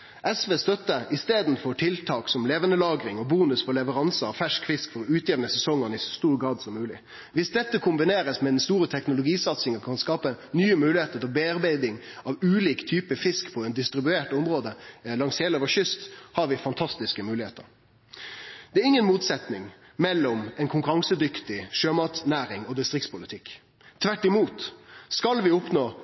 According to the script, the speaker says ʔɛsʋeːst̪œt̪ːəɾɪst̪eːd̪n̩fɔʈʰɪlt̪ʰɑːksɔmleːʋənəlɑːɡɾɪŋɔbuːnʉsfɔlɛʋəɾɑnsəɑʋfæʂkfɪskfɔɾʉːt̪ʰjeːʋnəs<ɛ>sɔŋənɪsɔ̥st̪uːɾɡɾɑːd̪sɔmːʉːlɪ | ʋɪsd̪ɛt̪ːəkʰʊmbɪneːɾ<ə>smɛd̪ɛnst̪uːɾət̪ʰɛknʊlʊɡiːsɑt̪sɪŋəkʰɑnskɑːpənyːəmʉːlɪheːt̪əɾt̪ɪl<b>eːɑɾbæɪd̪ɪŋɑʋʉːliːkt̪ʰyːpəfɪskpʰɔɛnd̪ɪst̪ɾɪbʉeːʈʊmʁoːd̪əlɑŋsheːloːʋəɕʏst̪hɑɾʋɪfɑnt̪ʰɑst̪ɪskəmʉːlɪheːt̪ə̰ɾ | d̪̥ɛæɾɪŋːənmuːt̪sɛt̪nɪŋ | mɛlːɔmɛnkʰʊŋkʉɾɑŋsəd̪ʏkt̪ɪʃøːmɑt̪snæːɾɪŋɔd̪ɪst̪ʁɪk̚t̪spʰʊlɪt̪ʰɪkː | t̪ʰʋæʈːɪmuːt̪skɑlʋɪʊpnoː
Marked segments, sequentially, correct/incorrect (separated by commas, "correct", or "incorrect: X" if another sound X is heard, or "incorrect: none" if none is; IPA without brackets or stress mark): correct, correct, correct